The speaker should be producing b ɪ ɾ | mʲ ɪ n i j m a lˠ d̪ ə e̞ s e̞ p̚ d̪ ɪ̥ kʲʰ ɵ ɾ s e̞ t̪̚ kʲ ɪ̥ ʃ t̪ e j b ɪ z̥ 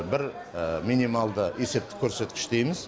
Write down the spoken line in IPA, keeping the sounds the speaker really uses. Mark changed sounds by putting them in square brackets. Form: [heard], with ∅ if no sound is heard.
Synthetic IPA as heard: b ɪ ɾ | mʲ [i] n i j m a lˠ d̪ ə e̞ s e̞ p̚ [t̪] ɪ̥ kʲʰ ɵ ɾ s e̞ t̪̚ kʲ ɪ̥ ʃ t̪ e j [m] ɪ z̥